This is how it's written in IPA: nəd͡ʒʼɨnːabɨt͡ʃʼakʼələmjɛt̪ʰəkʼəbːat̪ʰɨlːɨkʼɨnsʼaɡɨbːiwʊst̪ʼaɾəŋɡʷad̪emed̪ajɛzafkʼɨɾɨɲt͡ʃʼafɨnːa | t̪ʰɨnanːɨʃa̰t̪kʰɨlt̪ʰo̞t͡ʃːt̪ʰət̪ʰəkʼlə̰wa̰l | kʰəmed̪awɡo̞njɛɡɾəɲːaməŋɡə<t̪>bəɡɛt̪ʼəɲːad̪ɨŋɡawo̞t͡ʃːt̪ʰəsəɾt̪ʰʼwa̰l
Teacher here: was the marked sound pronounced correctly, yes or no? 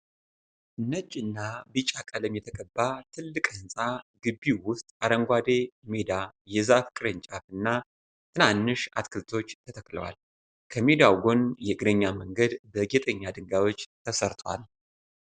no